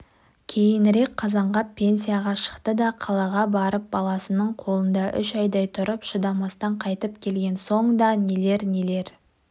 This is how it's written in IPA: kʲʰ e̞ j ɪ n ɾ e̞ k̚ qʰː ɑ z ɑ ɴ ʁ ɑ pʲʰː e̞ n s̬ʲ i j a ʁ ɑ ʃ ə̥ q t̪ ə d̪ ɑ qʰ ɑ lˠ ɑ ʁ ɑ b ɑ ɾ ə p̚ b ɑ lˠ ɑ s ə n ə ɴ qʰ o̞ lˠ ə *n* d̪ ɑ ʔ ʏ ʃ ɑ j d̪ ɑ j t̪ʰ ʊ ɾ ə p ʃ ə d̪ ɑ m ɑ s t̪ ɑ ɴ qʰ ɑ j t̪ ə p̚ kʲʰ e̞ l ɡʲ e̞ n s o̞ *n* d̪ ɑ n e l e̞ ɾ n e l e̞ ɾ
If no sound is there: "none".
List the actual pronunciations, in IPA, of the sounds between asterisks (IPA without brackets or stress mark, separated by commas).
n, ɴ